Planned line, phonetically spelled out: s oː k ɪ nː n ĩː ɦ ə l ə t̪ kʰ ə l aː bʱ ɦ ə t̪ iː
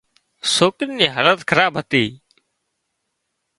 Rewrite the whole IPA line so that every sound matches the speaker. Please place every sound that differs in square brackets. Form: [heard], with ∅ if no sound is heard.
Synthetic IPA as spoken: s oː k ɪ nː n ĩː ɦ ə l ə t̪ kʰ ə [ɾ] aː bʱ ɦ ə t̪ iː